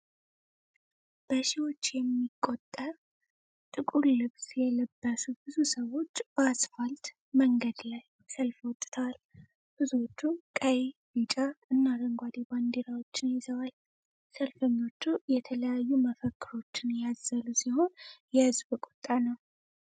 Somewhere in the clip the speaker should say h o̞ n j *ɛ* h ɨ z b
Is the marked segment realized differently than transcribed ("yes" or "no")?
no